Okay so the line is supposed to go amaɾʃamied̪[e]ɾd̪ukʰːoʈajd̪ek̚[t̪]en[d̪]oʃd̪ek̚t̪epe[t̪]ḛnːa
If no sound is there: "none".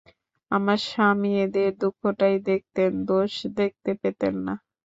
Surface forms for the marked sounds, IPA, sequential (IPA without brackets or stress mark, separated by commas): e, t̪, d̪, t̪